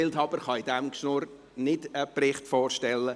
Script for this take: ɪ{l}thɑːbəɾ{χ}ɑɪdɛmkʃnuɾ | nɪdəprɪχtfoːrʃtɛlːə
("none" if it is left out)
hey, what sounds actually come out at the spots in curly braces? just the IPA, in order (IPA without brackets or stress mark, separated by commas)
l, χ